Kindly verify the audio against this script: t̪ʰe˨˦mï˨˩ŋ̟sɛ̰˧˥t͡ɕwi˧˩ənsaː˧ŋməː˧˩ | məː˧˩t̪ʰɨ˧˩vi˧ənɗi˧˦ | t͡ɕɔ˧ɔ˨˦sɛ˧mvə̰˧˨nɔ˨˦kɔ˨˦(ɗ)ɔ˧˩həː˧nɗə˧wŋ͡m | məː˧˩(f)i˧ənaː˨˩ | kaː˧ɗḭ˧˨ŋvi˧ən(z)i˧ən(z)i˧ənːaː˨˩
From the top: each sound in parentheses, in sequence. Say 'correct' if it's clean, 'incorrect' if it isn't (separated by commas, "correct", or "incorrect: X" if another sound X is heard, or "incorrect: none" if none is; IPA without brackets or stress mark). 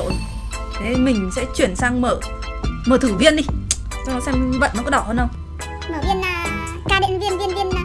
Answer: correct, incorrect: v, incorrect: v, incorrect: v